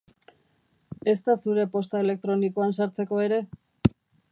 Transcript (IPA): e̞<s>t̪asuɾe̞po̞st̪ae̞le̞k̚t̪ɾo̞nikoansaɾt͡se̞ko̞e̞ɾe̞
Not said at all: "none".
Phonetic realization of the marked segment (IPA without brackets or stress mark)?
s